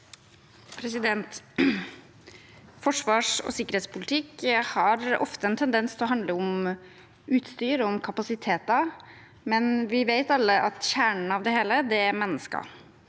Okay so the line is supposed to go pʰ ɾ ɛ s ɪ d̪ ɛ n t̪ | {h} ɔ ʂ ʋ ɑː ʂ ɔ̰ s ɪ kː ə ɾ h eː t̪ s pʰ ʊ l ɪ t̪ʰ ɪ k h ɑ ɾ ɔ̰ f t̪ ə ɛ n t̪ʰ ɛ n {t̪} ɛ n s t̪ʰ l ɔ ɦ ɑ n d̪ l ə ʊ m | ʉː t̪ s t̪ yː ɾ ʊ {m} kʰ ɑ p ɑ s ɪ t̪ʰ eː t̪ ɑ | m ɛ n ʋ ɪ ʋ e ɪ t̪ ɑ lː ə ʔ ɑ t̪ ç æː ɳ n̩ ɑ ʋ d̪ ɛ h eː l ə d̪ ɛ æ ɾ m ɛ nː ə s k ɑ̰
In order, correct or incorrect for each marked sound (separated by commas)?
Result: incorrect, incorrect, correct